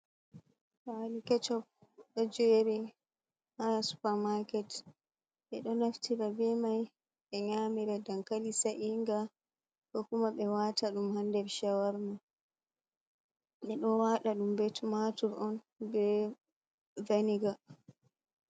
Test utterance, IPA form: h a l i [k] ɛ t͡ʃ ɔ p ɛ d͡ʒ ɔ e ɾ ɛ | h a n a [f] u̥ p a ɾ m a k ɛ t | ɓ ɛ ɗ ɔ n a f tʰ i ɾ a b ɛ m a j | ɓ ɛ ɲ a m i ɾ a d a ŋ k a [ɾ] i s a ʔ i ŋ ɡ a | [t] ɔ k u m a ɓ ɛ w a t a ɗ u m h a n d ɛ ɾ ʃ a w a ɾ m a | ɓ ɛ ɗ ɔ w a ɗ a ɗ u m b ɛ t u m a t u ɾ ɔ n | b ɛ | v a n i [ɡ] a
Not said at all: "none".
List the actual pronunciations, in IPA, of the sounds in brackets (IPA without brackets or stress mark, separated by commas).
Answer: k, s, l, k, ɡ